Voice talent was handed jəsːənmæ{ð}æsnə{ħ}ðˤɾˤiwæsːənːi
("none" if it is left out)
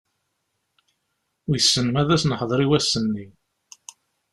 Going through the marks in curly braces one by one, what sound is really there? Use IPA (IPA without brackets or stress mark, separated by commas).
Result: ð, ħ